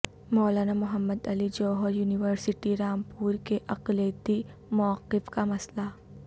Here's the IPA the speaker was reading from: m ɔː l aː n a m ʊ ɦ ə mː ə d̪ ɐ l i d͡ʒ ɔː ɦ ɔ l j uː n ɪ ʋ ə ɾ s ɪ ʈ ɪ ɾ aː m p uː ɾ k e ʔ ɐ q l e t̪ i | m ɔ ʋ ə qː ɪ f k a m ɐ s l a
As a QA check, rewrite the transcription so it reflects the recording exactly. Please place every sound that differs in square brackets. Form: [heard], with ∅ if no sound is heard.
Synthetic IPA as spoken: m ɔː l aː n a m ʊ ɦ ə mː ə d̪ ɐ l i d͡ʒ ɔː ɦ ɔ [ɾ] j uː n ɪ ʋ ə ɾ s ɪ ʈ [i] ɾ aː m p uː ɾ k e ʔ ɐ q l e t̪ i | m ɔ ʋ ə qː ɪ f k a m ɐ s l a